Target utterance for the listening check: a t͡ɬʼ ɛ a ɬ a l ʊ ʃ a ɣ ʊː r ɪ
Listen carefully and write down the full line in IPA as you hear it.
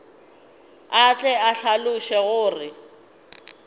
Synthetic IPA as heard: a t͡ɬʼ ɛ a ɬ a l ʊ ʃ ɛ ɣ ʊː r ɪ